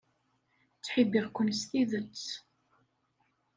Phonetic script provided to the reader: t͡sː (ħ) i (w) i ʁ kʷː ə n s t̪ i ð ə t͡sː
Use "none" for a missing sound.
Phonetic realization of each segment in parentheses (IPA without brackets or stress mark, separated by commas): ħ, b